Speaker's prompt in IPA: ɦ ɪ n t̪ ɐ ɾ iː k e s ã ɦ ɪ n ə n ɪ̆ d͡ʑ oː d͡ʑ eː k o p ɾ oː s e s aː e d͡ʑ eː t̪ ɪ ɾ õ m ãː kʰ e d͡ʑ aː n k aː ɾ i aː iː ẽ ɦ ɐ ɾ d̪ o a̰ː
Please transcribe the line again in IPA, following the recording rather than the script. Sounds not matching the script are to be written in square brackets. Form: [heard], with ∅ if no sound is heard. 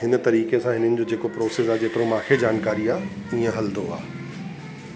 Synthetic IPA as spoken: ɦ ɪ n t̪ ɐ ɾ iː k e s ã ɦ ɪ n ə n ɪ̆ d͡ʑ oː d͡ʑ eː k o p ɾ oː s e s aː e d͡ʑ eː t̪ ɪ ɾ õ m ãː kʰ e d͡ʑ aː n k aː ɾ i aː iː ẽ ɦ ɐ [l] d̪ o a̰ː